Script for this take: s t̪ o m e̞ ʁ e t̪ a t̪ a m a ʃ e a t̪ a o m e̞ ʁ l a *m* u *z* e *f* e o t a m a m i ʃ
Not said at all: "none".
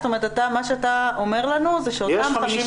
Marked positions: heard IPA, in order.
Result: n, z, ʃ

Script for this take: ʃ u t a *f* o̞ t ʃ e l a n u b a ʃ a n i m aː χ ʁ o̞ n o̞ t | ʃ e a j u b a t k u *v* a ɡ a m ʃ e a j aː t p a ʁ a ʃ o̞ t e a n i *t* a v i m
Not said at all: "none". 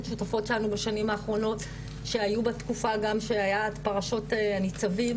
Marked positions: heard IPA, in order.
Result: f, f, t͡s

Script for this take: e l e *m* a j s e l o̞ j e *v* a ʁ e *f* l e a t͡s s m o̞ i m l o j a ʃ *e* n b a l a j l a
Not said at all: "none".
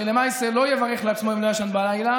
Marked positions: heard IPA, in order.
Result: m, v, χ, a

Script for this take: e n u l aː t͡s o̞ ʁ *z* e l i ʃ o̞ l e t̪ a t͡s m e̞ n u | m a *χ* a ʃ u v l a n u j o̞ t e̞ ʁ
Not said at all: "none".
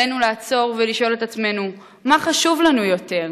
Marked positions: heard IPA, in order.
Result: v, χ

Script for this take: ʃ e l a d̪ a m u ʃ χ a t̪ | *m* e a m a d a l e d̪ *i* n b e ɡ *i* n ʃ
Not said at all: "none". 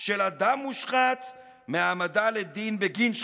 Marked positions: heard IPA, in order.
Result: m, i, i

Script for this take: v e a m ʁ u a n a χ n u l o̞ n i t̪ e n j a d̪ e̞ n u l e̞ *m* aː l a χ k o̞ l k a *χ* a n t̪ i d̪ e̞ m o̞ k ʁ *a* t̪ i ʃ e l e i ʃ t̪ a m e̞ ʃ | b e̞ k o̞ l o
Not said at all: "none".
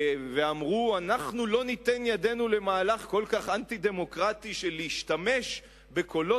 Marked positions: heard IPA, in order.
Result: m, χ, a

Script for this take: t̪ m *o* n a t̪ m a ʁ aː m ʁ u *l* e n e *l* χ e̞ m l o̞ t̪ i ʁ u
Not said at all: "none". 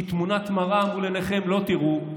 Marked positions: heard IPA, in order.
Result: u, l, none

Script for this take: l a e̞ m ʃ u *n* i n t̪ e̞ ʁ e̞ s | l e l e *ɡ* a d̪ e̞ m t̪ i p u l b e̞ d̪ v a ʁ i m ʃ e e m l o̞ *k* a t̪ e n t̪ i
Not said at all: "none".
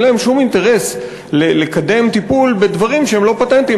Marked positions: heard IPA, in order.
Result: m, k, p

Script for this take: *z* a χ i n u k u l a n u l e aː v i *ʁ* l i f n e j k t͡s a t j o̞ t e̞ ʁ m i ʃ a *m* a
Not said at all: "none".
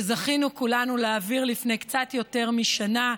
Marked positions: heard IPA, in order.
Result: z, ʁ, n

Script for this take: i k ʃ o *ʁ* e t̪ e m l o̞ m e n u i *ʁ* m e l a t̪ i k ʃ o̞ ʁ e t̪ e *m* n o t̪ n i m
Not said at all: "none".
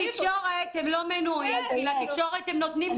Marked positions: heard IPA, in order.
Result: ʁ, none, m

